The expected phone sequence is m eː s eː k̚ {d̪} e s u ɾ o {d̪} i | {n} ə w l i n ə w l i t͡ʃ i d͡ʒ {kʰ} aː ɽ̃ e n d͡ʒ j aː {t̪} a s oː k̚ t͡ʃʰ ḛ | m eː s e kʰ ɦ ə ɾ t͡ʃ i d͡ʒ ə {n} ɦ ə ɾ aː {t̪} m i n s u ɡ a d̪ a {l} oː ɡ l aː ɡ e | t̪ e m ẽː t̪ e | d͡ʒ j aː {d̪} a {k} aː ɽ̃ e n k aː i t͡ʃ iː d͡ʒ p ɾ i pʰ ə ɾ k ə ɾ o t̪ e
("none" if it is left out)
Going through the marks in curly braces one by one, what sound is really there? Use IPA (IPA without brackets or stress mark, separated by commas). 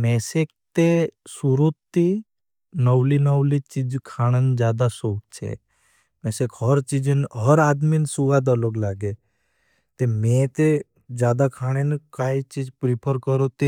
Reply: t̪, t̪, n, kʰ, d̪, n, d̪, l, d̪, kʰ